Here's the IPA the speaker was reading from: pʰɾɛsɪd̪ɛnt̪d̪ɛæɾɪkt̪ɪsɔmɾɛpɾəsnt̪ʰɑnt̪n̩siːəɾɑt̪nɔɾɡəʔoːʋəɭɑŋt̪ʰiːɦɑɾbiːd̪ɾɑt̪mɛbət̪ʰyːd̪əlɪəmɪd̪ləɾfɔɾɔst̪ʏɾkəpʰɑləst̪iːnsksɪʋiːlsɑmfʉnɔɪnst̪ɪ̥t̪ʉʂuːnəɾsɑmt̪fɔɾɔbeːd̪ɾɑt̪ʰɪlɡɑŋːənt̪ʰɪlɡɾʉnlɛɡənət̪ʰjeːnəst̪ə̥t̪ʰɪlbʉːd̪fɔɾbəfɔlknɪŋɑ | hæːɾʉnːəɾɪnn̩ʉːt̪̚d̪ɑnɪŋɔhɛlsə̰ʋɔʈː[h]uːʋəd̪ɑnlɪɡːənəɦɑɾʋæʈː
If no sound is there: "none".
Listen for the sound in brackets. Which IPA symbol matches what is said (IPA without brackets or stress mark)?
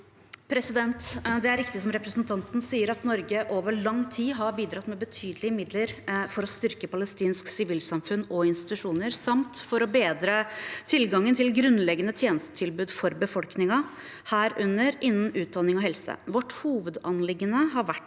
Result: h